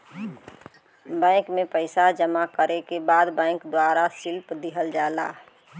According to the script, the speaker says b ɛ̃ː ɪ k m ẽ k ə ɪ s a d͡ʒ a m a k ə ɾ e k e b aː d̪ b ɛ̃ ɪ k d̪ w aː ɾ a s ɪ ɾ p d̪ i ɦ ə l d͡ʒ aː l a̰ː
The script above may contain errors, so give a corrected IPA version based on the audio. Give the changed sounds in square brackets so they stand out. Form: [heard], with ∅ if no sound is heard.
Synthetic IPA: b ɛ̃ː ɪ k m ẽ [p] ə ɪ s a d͡ʒ [ə] m a k ə ɾ e k e b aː d̪ b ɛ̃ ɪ k d̪ w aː ɾ a s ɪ [l] p d̪ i ɦ ə l d͡ʒ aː l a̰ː

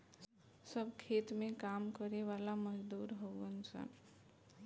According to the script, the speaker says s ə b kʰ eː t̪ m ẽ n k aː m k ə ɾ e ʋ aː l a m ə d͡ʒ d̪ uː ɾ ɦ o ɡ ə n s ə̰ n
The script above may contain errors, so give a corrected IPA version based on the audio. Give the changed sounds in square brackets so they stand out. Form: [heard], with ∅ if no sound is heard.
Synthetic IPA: s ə b kʰ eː t̪ m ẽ [∅] k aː m k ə ɾ e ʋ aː l a m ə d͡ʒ d̪ uː ɾ ɦ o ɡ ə n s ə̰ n

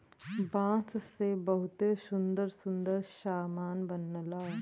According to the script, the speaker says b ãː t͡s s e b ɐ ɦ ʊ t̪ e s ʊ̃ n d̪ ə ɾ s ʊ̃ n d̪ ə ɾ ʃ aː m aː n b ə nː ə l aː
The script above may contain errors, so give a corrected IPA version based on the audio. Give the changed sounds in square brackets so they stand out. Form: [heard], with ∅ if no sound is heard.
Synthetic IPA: b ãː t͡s s e b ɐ ɦ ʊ t̪ e s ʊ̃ n d̪ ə ɾ s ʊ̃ n d̪ ə ɾ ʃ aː m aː n b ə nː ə l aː

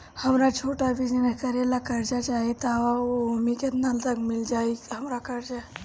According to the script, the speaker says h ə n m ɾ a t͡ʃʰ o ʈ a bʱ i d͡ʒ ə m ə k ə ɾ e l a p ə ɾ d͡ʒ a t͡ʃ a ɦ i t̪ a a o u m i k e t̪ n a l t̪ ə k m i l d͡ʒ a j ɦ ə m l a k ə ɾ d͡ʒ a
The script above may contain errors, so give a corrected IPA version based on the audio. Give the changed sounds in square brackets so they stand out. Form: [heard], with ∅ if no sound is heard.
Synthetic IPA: h ə [∅] m ɾ a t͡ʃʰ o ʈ a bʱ i d͡ʒ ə [n] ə k ə ɾ e l a [k] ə ɾ d͡ʒ a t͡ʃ a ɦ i t̪ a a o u m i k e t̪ n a l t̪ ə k m i l d͡ʒ a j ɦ ə m [ɾ] a k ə ɾ d͡ʒ a

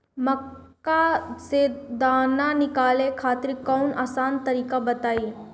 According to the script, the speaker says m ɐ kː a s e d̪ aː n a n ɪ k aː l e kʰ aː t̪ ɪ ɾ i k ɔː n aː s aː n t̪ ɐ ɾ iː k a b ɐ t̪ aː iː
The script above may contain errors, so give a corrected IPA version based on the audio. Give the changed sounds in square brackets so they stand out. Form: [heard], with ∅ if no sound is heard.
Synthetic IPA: m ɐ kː a s e d̪ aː n a n ɪ k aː l e kʰ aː t̪ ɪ ɾ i k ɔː n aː s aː n t̪ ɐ ɾ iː k a b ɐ t̪ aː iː

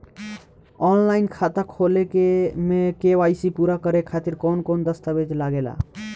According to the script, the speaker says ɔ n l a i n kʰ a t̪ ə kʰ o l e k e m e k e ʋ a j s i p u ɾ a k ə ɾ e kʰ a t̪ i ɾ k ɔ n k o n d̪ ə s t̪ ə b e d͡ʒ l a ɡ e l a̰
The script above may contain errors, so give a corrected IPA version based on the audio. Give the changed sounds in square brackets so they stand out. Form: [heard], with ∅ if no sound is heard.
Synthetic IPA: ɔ n l a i n kʰ a t̪ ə kʰ o l e k e m e k e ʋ a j s i p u ɾ a k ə ɾ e kʰ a t̪ i ɾ k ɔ n k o n d̪ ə s t̪ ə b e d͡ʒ l a ɡ e l a̰

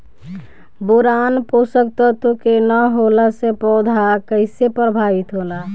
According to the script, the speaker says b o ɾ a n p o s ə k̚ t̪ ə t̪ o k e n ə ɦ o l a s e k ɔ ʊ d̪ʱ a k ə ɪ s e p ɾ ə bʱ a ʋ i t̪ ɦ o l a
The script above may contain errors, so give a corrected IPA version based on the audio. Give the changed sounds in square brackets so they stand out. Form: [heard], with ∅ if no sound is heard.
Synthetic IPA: b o ɾ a n p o s ə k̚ t̪ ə t̪ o k e n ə ɦ o l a s e [p] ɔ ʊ d̪ʱ a k ə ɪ s e p ɾ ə bʱ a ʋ i t̪ ɦ o l a

